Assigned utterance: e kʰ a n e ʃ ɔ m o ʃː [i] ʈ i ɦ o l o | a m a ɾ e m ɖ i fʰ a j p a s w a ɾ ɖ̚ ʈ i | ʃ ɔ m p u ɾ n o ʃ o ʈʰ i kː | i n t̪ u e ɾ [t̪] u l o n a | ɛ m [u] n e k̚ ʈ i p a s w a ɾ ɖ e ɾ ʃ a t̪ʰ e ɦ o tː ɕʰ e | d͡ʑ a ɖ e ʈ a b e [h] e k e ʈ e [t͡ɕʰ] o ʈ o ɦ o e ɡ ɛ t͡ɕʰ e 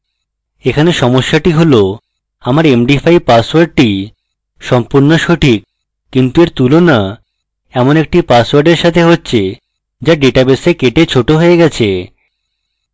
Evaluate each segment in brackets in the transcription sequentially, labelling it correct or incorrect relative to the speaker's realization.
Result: incorrect: a, correct, incorrect: o, incorrect: s, correct

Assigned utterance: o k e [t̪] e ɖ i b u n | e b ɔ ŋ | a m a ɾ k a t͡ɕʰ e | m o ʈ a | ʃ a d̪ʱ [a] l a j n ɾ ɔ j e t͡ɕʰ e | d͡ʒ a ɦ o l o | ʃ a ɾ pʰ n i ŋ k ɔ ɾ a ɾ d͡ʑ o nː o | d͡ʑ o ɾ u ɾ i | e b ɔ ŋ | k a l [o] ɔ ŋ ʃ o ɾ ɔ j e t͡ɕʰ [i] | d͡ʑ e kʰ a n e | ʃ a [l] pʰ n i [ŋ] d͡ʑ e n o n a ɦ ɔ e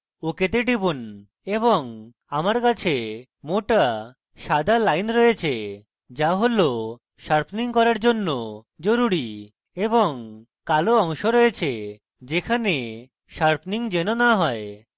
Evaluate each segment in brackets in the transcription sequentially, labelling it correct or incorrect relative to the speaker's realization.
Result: correct, correct, correct, incorrect: e, incorrect: ɾ, correct

